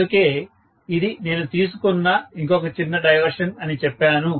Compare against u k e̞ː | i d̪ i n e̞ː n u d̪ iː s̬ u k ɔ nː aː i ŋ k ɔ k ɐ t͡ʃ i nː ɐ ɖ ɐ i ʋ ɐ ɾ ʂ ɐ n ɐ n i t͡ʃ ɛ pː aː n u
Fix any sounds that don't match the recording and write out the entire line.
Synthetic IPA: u k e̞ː | i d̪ i n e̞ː n u t̪ iː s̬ u k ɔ nː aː i ŋ k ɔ k ɐ t͡ʃ i nː ɐ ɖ ɐ j ʋ ɐ ɾ ʂ ɐ n ɐ n i t͡ʃ ɛ pː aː n u